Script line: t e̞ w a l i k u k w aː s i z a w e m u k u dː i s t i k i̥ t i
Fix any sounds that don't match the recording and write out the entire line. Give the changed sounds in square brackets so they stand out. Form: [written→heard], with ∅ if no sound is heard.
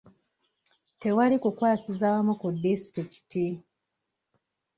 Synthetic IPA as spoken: t e̞ w a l i k u k w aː s i z a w [e→a] m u k u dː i s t i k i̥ t i